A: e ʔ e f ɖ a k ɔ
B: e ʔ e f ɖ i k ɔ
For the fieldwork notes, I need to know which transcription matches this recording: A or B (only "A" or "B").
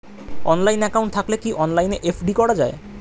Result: B